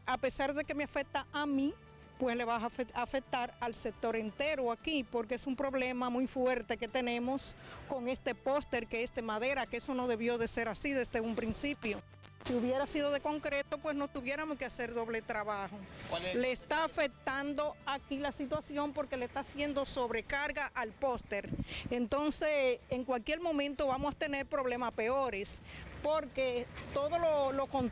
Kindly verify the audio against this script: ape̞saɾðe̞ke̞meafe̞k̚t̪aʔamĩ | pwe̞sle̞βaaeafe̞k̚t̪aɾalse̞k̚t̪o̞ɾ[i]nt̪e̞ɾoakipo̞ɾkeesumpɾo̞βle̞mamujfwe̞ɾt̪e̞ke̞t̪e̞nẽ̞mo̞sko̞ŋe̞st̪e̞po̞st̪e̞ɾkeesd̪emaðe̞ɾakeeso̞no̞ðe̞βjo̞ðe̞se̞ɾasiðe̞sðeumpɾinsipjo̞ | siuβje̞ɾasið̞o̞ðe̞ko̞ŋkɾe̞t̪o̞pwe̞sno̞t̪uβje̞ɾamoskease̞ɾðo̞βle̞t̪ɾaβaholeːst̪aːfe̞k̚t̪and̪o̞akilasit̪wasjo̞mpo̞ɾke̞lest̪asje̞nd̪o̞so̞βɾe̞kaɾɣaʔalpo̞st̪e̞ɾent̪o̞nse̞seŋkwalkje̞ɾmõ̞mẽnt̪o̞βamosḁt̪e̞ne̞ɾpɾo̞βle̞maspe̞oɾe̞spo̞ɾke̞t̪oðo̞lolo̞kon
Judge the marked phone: incorrect: e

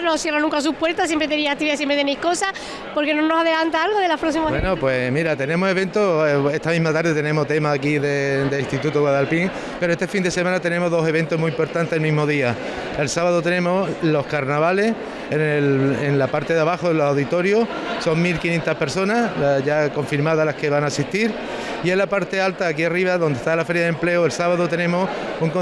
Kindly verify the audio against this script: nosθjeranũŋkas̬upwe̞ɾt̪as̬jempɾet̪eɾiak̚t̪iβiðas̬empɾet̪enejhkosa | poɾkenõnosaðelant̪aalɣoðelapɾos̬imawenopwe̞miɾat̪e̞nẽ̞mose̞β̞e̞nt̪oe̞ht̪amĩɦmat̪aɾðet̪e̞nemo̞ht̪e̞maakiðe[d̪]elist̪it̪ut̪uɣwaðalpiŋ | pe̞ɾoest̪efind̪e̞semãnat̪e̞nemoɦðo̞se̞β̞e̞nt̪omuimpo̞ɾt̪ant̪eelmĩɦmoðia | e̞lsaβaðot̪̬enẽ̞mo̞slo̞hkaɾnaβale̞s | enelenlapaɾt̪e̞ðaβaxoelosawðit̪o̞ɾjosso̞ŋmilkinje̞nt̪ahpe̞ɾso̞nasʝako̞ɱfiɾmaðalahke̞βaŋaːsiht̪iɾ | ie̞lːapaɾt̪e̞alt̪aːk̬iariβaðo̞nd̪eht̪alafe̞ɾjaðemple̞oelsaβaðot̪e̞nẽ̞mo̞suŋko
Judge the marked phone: correct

